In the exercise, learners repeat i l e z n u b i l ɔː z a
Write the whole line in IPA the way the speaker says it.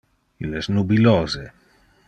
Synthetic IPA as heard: i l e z n u b i l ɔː z e